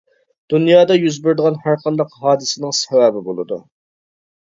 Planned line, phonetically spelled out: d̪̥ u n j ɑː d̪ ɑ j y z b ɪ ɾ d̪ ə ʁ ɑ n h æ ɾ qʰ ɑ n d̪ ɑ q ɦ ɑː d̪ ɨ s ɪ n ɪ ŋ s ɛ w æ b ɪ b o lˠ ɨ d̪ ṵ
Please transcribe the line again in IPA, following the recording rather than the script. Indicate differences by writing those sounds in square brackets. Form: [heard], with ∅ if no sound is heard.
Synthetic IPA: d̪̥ u n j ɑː d̪ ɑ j y z b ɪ ɾ d̪ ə ʁ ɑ n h æ ɾ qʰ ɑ n d̪ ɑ q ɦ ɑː d̪ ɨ s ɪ n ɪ ŋ s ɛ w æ b ɪ b o lˠ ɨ d̪ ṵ

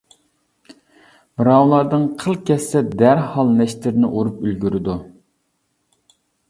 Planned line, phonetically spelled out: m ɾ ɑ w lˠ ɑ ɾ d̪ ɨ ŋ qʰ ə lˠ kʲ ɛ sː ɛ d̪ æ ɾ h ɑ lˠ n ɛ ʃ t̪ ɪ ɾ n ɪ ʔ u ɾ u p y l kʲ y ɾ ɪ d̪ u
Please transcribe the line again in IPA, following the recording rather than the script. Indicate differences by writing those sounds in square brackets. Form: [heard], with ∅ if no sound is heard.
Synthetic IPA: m ɾ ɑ w lˠ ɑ ɾ d̪ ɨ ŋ qʰ ə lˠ kʲ ɛ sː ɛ d̪ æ ɾ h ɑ lˠ n ɛ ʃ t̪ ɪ ɾ n ɪ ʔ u ɾ u p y l [ɡʲ] y ɾ ɪ d̪ u

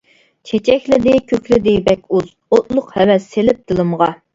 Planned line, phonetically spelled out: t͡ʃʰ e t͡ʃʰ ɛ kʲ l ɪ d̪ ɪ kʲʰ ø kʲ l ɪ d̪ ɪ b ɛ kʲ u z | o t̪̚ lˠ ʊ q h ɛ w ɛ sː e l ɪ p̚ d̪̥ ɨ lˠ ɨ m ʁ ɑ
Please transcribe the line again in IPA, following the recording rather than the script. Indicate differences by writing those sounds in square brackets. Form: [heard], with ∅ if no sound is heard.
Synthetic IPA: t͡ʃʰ e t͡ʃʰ ɛ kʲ l ɪ d̪ ɪ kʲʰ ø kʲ l ɪ d̪ ɪ b ɛ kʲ u z | o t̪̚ lˠ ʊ q h ɛ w ɛ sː e l ɪ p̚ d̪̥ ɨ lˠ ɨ m ʁ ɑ

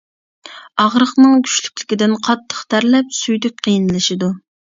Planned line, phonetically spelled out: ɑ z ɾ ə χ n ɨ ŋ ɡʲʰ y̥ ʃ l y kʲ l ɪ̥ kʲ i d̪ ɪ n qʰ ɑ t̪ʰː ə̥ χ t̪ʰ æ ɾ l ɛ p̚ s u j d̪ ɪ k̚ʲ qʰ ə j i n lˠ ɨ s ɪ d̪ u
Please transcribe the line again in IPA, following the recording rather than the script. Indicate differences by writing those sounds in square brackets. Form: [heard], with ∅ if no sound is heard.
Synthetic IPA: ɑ [ʁ] ɾ ə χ n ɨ ŋ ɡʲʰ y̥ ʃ l y kʲ l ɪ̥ kʲ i d̪ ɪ n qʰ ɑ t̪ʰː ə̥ χ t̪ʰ æ ɾ l ɛ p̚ s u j d̪ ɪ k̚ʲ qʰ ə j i n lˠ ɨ [ʃ] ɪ d̪ u

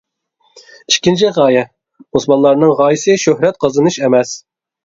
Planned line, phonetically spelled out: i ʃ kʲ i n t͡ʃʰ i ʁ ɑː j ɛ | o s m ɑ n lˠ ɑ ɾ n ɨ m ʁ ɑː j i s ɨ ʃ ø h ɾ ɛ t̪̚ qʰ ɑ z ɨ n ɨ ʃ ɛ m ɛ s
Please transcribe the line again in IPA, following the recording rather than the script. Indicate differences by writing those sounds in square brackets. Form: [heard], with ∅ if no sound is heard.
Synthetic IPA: i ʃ kʲ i n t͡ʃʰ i ʁ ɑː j ɛ | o s m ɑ n lˠ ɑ ɾ n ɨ [ŋ] ʁ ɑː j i s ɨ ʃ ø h ɾ ɛ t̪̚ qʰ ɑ z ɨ n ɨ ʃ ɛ m ɛ s

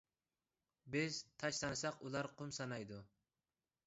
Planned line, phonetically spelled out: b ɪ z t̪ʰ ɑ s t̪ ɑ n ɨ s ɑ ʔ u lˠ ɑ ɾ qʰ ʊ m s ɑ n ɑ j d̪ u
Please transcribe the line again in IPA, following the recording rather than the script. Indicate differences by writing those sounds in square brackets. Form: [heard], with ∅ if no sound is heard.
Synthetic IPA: b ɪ z t̪ʰ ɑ [ʃ] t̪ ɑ n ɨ s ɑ [q] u lˠ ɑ ɾ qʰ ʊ m s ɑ n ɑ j d̪ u

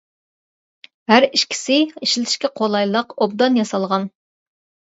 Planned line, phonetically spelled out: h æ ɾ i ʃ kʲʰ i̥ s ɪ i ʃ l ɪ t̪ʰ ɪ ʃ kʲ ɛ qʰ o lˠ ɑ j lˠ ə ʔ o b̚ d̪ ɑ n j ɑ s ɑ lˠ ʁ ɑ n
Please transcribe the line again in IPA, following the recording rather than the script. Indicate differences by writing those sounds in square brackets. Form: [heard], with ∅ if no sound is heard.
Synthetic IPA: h æ ɾ i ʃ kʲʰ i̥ s ɪ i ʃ l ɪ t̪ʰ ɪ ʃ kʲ ɛ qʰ o lˠ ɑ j lˠ ə [q] o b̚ d̪ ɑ n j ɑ s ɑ lˠ ʁ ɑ n

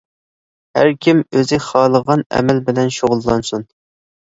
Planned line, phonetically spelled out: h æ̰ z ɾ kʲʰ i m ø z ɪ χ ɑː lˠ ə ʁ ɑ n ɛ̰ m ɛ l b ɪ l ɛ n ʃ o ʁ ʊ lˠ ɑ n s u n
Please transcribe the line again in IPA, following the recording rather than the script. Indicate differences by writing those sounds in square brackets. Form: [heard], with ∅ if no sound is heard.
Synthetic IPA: h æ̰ [∅] ɾ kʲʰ i m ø z ɪ χ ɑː lˠ ə ʁ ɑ n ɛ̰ m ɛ l b ɪ l ɛ n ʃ o ʁ ʊ [lˠː] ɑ n s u n

